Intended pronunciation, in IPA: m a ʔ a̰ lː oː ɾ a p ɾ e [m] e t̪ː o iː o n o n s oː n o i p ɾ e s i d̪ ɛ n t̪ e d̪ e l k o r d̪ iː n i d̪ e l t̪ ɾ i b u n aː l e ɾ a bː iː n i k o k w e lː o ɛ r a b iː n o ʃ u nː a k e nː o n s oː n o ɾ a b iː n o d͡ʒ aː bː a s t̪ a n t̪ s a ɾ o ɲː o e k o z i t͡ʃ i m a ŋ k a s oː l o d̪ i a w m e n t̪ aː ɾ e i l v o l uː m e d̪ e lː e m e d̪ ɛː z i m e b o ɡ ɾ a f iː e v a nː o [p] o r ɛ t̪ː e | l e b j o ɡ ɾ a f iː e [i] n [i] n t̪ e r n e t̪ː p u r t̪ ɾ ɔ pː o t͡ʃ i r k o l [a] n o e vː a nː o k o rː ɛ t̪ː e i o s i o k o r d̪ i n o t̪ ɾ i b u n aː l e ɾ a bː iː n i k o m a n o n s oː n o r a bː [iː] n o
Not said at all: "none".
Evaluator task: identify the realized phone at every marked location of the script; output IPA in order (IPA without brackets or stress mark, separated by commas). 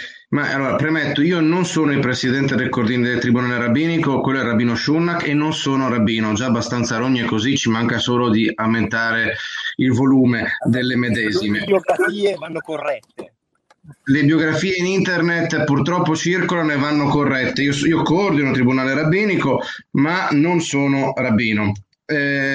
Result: m, k, i, i, a, iː